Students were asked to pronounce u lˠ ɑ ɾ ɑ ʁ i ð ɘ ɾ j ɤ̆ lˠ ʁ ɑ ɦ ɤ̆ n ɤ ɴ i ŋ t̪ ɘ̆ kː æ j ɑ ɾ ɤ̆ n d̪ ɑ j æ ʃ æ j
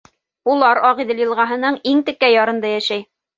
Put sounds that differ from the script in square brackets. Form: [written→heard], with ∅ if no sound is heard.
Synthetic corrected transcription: u lˠ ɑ ɾ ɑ ʁ i ð ɘ [ɾ→l] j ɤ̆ lˠ ʁ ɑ ɦ ɤ̆ n ɤ ɴ i ŋ t̪ ɘ̆ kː æ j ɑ ɾ ɤ̆ n d̪ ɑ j æ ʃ æ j